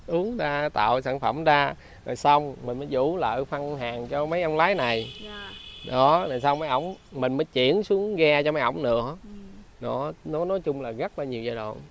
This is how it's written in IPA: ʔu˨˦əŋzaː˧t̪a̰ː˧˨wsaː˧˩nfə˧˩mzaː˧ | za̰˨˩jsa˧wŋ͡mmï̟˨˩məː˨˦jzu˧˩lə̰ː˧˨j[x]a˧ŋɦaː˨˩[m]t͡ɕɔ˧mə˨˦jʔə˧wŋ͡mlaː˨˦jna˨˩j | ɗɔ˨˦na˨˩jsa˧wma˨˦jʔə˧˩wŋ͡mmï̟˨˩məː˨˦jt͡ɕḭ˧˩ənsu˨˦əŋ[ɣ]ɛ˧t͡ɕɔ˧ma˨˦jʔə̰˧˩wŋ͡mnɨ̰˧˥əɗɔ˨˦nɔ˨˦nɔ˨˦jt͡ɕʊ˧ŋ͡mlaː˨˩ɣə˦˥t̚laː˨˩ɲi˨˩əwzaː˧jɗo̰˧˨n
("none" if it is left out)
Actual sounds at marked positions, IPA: f, ŋ, ɣ

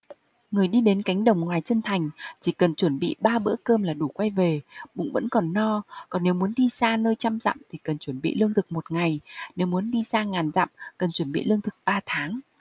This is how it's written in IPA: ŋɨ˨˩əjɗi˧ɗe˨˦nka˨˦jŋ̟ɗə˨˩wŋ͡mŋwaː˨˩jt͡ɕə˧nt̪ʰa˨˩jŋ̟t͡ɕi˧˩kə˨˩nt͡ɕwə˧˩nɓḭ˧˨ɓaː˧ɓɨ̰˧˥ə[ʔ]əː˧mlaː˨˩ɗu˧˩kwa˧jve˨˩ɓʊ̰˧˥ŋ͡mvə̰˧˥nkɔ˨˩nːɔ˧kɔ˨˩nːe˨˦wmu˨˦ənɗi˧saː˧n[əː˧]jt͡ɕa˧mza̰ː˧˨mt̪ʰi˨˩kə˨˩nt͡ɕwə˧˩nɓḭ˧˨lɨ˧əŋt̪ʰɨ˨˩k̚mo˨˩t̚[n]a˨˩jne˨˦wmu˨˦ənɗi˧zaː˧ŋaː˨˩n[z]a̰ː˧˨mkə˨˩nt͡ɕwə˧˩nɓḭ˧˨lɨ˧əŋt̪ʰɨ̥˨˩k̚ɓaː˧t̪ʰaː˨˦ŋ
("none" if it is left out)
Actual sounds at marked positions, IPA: k, əː˧, ŋ, z

